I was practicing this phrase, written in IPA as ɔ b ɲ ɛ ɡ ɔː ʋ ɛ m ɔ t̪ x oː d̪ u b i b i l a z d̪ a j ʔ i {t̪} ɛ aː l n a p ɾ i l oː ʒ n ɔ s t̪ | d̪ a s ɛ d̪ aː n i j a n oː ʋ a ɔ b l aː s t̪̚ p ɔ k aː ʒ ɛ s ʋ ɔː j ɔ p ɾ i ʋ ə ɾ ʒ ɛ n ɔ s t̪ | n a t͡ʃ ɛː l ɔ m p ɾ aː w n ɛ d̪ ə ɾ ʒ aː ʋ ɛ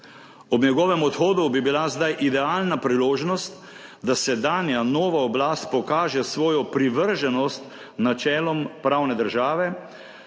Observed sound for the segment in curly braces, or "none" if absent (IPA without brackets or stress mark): d̪